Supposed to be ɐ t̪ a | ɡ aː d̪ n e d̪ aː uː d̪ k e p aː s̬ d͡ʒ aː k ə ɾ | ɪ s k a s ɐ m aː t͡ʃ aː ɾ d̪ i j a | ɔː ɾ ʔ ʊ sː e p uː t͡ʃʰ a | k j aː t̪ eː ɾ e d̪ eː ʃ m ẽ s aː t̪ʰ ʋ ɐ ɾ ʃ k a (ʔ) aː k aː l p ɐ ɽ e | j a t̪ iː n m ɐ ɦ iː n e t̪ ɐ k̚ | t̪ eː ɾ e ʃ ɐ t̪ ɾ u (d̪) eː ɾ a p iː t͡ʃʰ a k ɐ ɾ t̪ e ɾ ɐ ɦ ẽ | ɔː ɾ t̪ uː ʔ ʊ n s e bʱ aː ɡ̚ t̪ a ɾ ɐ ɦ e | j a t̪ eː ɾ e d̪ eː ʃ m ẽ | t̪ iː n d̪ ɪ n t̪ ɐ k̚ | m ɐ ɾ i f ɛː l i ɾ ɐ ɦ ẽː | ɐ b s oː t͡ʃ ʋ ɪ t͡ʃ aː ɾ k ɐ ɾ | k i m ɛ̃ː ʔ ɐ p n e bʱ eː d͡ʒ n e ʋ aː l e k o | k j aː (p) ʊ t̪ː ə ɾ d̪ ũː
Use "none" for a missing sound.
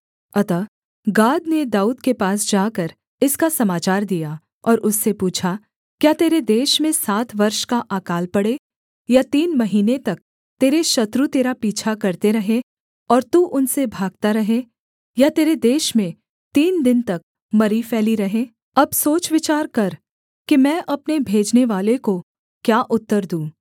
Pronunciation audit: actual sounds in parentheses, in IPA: ʔ, t̪, ʔ

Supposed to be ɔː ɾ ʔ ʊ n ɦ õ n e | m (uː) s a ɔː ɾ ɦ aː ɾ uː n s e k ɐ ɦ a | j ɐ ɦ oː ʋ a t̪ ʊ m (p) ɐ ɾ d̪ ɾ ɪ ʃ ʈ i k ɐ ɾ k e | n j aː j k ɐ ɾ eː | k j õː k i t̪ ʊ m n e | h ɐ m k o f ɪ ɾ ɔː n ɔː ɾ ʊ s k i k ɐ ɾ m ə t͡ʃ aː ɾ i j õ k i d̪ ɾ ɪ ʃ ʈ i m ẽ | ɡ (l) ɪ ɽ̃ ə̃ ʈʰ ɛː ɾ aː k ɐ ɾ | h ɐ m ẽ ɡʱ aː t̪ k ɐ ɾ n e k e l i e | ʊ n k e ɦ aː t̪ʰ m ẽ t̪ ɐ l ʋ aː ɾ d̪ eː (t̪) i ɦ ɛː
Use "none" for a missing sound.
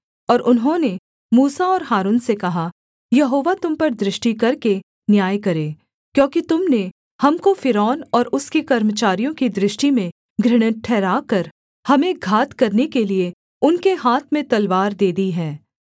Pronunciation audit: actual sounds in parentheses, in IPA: uː, p, ɾ, d̪

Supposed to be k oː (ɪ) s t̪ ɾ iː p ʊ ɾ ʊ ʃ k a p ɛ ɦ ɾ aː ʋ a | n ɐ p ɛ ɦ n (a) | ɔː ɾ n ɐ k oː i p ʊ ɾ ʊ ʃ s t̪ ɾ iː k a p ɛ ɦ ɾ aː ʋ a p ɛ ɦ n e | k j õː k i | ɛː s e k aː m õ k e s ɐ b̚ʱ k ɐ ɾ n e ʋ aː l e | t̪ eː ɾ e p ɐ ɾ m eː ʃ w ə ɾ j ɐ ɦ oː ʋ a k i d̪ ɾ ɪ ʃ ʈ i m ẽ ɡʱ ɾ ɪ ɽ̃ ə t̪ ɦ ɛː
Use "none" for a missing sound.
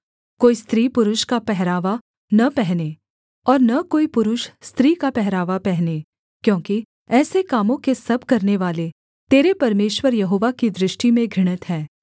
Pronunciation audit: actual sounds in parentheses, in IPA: i, e

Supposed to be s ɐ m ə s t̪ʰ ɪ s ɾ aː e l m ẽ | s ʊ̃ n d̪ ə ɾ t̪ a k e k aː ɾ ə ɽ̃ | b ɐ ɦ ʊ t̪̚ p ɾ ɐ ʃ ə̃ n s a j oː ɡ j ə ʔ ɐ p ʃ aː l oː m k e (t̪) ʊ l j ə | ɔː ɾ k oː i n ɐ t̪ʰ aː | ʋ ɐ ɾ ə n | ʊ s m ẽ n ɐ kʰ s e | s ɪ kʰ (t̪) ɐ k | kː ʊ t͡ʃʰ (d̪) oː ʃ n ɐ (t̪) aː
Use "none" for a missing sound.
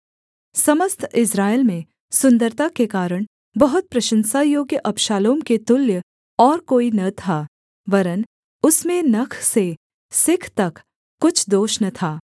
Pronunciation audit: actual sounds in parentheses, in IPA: t̪, t̪, d̪, t̪ʰ

